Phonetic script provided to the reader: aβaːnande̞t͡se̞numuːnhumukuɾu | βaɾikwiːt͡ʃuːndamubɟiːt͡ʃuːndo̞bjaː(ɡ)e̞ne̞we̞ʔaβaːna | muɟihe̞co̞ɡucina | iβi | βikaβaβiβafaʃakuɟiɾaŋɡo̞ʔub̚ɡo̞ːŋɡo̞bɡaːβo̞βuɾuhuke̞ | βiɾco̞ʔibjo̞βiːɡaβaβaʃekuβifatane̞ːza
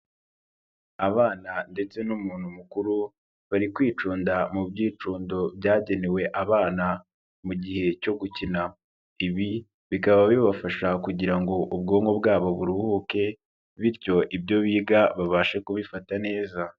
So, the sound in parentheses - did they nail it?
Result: no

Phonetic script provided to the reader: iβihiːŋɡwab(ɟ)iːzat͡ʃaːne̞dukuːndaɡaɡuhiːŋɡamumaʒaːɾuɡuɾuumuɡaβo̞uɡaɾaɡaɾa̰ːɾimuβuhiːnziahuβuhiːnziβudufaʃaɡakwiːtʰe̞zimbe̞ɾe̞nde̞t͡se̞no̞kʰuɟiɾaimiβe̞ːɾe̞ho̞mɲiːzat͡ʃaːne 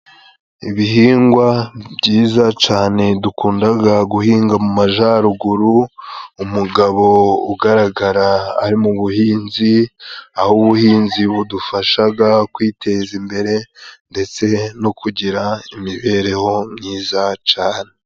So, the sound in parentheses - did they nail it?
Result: yes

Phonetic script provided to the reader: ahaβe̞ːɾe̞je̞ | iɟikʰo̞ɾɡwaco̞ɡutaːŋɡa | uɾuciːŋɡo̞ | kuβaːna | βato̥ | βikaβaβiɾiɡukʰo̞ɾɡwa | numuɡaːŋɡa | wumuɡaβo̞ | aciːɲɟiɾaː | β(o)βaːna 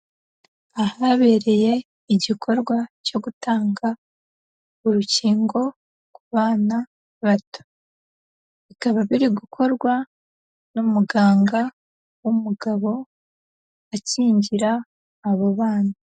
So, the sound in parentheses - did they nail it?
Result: yes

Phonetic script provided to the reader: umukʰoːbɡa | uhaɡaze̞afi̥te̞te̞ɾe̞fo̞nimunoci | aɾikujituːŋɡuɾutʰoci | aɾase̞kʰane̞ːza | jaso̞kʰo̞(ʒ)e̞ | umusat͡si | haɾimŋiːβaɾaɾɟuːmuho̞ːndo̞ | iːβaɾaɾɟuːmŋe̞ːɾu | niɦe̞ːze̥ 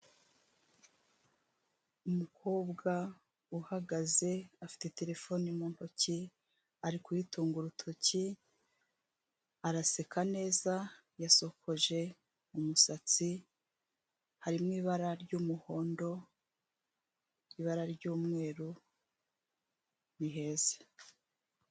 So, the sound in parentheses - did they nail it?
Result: yes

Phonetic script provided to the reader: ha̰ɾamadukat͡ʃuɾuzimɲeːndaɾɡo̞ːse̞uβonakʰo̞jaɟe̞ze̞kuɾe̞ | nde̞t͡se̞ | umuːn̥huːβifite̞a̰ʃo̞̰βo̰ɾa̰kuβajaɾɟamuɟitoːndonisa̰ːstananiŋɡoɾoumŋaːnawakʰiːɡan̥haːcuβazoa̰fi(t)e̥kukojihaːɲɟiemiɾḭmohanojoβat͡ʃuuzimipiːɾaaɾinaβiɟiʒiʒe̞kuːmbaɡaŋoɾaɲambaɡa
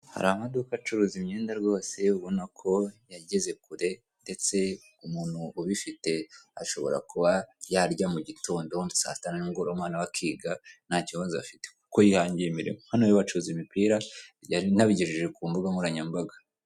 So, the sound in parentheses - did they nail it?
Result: yes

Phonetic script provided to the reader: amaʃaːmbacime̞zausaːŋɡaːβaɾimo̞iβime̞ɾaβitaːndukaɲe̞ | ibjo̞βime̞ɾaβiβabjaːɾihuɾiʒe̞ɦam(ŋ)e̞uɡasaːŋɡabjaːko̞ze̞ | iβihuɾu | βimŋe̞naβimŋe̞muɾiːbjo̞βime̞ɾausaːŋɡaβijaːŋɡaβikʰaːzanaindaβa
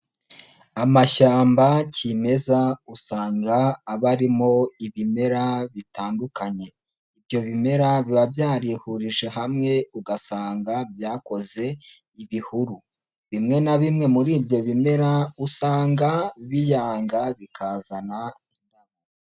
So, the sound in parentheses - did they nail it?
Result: yes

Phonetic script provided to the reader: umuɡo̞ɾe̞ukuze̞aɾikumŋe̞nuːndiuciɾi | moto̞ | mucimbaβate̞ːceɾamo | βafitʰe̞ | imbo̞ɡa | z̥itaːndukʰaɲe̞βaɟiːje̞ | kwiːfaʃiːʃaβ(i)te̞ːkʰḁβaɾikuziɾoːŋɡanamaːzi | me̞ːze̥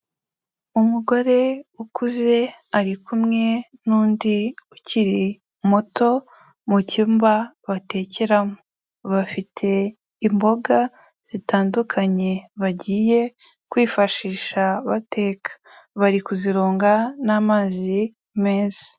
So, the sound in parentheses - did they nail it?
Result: no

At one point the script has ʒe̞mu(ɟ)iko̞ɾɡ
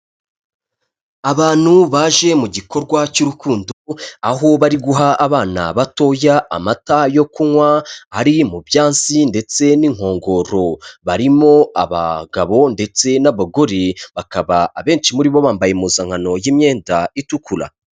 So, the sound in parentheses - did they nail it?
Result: yes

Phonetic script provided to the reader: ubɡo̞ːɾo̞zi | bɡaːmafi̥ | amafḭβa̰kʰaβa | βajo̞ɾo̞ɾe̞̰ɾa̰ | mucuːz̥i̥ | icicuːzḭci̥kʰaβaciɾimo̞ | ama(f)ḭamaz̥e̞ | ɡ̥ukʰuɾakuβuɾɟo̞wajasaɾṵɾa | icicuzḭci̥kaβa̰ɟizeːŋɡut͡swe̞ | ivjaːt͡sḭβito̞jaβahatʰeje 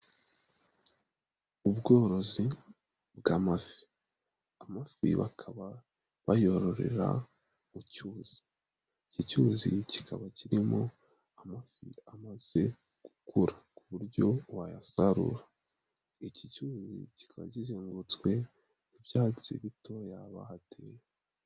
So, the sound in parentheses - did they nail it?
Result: yes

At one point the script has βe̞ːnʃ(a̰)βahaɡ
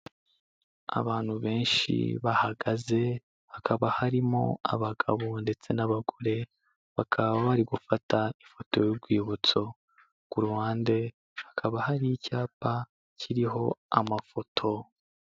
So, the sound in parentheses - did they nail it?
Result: no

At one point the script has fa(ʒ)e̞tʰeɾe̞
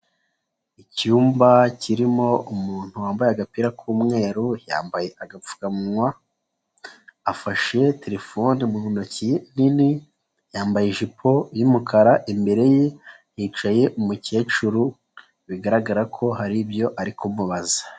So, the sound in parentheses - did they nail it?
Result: no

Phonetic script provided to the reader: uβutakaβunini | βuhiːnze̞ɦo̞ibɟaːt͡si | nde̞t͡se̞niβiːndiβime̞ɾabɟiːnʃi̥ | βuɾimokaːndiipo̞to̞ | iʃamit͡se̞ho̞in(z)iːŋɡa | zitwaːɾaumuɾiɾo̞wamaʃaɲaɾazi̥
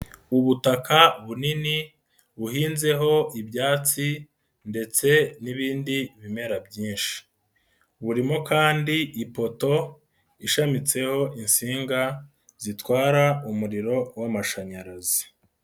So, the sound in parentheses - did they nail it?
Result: no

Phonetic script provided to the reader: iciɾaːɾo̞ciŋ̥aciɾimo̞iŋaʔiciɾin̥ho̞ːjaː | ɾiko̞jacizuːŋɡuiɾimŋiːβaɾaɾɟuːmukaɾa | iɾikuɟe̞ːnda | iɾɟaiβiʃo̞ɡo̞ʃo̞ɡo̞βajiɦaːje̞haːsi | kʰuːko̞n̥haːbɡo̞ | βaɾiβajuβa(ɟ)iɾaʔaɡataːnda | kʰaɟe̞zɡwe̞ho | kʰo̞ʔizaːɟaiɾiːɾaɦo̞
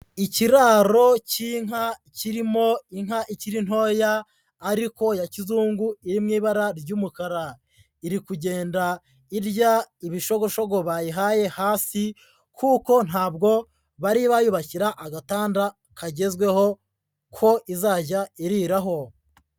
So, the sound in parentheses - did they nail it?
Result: no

